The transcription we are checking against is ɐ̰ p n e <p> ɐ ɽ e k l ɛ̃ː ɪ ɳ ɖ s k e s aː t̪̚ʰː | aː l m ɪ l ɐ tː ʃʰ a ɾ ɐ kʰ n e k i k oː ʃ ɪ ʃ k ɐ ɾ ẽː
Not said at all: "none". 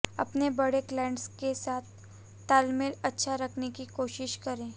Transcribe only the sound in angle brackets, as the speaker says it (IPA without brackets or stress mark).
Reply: b